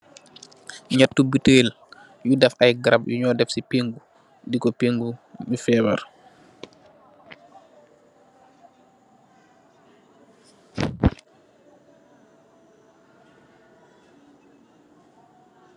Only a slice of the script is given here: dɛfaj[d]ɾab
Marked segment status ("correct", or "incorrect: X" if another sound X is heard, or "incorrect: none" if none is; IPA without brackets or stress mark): incorrect: ɡ